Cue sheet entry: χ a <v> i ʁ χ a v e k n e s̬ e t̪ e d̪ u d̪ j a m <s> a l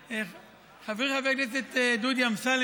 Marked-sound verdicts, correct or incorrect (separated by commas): correct, correct